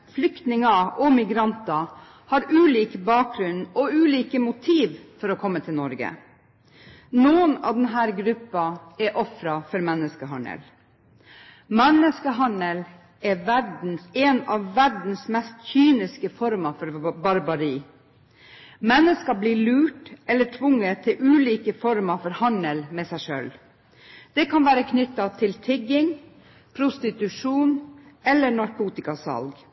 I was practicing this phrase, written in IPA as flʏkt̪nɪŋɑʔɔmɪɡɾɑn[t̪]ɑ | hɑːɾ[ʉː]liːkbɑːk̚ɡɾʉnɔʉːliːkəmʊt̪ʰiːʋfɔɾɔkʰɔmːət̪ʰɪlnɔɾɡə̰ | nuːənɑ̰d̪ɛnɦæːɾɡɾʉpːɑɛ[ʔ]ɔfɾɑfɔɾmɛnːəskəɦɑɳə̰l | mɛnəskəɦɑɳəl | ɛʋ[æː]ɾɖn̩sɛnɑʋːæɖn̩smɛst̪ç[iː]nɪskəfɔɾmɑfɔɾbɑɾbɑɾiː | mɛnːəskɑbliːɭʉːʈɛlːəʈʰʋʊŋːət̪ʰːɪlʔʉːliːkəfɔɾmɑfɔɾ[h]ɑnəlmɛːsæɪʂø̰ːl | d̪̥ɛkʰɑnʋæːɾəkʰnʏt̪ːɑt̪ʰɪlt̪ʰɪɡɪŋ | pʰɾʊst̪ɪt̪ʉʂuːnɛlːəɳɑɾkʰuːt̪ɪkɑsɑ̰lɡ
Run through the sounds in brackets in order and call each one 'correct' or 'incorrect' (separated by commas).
correct, correct, correct, incorrect, incorrect, correct